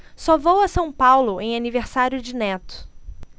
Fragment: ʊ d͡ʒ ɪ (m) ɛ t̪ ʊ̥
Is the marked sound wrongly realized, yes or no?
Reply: yes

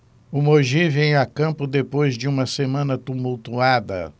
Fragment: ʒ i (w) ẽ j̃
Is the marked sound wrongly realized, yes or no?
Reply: yes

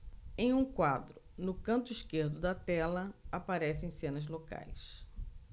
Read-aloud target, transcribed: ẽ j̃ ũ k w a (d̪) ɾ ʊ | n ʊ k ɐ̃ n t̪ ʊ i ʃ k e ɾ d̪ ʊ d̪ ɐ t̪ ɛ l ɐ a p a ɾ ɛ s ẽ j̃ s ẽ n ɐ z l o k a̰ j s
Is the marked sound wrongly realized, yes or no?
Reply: no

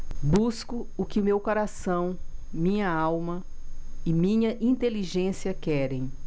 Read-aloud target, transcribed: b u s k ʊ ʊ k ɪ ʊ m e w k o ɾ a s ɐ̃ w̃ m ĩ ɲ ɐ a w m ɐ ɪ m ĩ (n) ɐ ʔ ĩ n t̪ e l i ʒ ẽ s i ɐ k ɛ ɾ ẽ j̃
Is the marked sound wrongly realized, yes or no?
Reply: yes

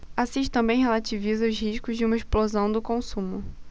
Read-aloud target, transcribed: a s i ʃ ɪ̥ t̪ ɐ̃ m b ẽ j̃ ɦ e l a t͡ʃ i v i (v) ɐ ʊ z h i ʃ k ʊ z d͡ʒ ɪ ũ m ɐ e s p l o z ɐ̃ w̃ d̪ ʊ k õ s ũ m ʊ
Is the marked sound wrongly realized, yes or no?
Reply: yes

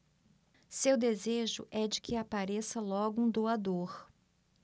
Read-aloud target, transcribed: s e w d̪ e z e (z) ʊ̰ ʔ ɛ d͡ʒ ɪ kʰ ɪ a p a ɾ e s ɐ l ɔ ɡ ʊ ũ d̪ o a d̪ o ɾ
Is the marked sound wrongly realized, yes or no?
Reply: yes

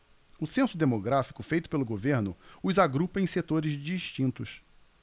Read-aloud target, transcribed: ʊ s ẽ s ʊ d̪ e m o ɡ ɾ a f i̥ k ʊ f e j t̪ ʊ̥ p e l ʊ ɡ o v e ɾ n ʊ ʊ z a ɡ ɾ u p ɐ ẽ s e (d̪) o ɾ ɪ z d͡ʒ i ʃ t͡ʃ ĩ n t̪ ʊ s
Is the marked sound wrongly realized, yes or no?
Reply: yes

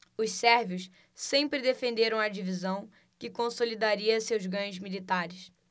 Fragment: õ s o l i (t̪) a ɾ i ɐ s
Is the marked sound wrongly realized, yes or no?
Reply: yes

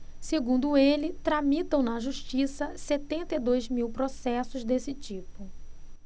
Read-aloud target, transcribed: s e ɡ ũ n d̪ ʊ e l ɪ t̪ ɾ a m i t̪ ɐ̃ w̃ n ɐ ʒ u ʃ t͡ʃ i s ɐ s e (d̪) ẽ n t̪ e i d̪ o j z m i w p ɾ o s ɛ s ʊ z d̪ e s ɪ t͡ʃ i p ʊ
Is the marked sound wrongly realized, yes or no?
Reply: yes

